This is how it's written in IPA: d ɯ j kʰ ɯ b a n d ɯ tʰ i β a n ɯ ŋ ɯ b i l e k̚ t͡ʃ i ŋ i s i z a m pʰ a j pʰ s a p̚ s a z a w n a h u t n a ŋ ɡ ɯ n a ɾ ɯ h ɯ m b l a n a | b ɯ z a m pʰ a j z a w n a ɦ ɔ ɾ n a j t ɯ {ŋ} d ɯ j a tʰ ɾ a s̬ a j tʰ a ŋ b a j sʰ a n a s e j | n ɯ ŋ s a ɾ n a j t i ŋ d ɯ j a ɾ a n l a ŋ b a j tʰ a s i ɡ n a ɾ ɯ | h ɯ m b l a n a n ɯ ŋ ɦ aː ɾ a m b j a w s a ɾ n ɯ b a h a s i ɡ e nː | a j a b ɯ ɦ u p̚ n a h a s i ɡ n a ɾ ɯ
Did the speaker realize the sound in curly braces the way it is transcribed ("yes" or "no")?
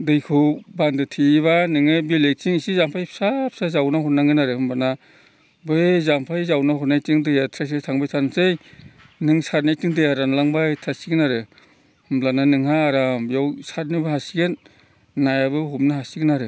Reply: yes